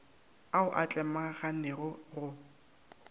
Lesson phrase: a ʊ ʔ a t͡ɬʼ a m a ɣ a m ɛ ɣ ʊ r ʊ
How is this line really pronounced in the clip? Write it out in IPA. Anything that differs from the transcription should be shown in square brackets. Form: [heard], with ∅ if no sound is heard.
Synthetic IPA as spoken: a ʊ ʔ a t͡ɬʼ [ɛ] m a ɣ a [n] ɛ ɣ ʊ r ʊ